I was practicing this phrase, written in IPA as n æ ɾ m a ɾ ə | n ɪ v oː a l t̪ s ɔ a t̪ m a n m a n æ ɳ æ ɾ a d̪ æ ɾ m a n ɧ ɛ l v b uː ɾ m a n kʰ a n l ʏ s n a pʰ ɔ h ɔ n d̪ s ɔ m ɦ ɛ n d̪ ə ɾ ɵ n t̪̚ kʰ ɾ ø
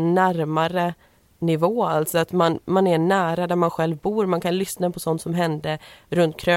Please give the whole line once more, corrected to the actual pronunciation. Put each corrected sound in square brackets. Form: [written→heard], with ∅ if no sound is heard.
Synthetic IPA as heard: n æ ɾ m a ɾ ə | n ɪ v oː a l t̪ s ɔ a t̪ m a n m a n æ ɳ [æ→æː] ɾ a d̪ æ ɾ m a n ɧ ɛ l v b uː ɾ m a n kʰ a n l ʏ s n a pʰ ɔ [h→s] ɔ n [d̪→t̪] s ɔ m ɦ ɛ n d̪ ə ɾ ɵ n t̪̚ kʰ ɾ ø